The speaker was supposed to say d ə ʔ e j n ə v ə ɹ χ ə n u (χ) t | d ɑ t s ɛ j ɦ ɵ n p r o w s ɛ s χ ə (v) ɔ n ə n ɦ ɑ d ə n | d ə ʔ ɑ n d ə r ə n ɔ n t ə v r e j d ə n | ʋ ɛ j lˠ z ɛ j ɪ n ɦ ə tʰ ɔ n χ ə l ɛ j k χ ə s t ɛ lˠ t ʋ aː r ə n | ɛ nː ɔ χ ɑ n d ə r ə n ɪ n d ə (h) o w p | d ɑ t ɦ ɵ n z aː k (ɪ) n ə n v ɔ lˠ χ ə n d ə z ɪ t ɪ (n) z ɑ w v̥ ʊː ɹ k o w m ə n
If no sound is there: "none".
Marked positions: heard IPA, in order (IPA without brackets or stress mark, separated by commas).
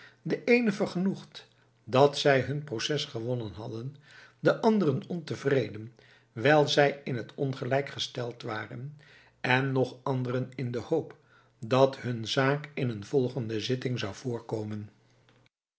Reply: χ, ʋ, h, ɪ, ŋ